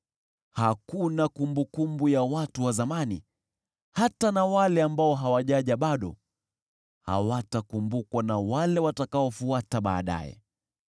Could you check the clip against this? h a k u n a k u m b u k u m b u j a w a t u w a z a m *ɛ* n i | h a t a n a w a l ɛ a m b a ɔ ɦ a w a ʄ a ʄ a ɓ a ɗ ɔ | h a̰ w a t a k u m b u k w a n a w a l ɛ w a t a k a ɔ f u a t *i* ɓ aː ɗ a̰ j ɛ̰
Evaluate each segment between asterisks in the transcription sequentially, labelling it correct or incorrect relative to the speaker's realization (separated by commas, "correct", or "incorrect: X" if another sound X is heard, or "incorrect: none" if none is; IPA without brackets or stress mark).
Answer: incorrect: a, incorrect: a